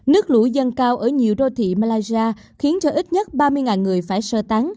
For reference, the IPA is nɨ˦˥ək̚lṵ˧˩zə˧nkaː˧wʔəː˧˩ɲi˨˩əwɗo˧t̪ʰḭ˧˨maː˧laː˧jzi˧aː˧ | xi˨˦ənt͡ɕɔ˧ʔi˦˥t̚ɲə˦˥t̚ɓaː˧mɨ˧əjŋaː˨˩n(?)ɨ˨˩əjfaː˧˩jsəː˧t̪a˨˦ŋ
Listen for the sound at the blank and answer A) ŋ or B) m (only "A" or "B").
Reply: A